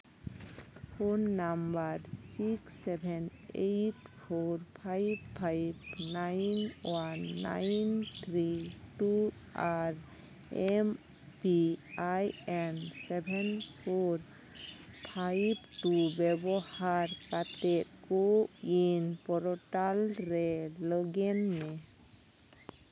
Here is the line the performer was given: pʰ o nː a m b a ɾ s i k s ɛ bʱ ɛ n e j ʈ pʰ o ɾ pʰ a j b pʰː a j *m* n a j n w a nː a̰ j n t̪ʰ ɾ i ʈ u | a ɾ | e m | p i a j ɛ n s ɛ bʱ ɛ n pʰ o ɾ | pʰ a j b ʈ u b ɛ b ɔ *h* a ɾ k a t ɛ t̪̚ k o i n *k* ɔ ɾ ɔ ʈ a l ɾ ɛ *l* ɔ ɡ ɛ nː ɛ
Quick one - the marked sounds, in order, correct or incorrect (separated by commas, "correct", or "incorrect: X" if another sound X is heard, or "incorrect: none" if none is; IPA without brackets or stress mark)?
incorrect: b, correct, incorrect: p, correct